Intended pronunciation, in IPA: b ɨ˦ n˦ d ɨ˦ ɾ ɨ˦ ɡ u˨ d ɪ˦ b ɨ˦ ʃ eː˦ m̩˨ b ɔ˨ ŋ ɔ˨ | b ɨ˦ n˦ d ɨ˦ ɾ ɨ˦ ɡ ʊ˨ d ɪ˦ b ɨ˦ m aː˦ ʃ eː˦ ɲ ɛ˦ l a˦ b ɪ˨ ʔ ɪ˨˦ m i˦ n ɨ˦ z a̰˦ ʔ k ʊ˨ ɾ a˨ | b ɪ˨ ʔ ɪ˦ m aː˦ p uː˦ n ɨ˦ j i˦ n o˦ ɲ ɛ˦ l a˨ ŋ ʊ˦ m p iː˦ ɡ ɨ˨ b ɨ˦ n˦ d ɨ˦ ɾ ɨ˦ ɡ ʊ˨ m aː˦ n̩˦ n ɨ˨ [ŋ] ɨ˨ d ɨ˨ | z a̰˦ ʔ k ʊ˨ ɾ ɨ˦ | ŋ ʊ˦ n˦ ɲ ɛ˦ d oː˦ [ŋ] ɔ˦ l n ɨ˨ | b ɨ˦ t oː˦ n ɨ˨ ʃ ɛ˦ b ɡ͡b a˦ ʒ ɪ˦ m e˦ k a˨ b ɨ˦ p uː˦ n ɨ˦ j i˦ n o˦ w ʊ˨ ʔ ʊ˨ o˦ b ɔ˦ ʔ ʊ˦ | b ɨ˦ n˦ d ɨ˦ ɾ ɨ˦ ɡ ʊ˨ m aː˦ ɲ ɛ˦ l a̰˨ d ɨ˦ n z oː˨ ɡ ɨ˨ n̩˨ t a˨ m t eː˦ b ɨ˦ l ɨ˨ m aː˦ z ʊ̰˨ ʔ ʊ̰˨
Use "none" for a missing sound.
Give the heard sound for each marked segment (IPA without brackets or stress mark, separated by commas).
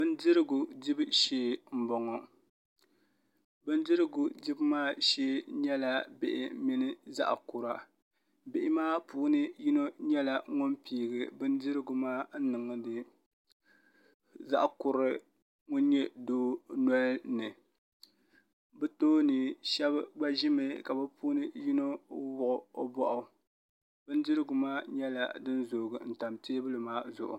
ŋ, n